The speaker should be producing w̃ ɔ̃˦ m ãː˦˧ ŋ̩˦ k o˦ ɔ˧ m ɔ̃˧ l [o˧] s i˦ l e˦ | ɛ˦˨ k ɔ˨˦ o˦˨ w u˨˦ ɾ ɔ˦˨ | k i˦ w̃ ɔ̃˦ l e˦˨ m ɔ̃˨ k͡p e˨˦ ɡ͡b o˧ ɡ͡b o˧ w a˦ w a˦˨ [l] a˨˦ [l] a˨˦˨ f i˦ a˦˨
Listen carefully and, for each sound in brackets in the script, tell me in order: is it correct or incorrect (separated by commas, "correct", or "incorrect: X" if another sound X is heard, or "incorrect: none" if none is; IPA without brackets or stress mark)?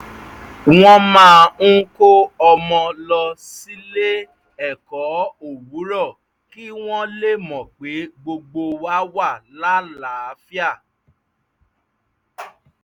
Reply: incorrect: ɔ˧, correct, correct